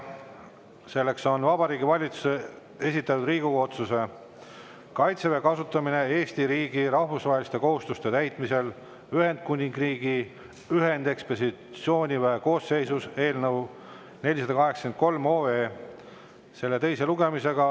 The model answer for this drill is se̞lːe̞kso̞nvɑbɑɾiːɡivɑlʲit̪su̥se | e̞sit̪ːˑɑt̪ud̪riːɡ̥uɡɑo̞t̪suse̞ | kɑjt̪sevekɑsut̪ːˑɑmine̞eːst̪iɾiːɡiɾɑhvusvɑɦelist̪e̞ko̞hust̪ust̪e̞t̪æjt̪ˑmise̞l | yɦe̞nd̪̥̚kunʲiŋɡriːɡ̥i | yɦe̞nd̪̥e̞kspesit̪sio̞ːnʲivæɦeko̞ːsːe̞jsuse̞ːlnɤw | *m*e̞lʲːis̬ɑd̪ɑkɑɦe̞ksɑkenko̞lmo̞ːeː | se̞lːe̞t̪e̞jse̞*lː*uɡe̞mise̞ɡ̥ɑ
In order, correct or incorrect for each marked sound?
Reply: incorrect: n, incorrect: l

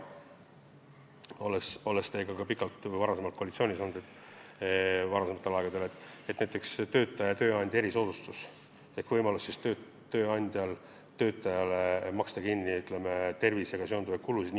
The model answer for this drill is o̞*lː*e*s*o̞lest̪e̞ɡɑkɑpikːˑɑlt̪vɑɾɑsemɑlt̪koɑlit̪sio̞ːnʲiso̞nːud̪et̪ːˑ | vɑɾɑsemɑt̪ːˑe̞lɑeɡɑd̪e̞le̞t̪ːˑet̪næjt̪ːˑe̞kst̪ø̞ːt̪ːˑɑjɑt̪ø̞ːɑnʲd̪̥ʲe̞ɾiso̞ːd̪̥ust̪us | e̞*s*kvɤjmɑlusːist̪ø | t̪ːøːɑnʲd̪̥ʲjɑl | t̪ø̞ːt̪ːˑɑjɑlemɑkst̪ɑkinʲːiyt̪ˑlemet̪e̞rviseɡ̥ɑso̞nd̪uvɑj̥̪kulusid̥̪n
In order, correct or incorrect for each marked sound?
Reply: incorrect: l, correct, incorrect: h

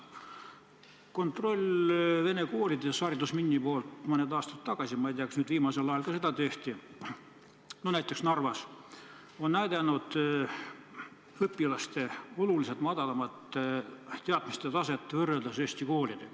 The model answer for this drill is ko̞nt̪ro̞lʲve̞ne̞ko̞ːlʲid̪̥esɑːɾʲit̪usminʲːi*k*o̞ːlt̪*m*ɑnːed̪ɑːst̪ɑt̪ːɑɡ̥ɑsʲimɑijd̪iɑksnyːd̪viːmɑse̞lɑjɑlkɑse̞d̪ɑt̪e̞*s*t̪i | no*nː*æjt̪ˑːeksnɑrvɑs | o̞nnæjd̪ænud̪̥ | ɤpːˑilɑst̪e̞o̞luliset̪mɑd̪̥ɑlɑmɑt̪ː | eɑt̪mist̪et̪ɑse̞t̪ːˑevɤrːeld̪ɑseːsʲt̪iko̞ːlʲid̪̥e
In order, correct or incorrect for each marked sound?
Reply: incorrect: p, correct, incorrect: h, incorrect: n

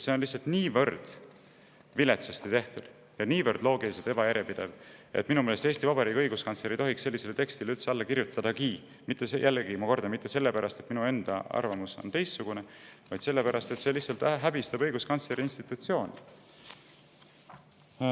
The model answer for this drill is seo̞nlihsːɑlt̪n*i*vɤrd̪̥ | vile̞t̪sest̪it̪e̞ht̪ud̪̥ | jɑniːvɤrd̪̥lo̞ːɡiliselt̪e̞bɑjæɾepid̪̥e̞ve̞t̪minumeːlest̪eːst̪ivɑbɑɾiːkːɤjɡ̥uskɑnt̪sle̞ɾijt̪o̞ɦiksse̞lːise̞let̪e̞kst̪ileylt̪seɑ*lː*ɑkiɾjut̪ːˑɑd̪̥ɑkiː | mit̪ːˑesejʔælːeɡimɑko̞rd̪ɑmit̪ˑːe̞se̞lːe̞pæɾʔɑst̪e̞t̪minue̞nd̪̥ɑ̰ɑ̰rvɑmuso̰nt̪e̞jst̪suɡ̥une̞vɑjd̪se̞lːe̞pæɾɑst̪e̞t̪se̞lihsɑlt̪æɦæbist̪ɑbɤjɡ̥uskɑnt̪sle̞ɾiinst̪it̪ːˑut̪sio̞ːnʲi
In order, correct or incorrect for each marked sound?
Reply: incorrect: iː, correct

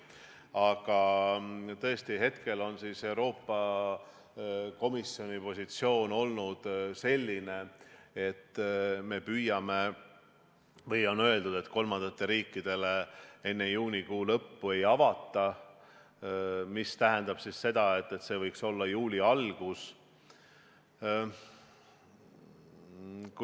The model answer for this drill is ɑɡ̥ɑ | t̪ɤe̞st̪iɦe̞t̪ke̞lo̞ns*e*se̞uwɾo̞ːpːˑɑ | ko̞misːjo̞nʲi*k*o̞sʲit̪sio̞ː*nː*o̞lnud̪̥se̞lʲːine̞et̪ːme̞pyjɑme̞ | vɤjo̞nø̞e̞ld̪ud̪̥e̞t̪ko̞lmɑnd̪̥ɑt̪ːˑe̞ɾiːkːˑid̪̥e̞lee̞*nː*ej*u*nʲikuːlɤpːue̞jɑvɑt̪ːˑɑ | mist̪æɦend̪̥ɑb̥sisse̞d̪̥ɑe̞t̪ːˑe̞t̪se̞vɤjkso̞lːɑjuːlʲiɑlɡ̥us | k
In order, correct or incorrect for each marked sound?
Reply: incorrect: i, incorrect: p, incorrect: n, correct, incorrect: uː

